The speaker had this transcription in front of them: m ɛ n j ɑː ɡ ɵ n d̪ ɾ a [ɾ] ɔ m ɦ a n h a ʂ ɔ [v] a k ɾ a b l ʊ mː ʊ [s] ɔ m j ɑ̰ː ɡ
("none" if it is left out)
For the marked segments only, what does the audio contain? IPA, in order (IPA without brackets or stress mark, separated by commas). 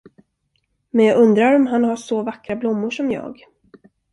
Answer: ɾ, v, ʂ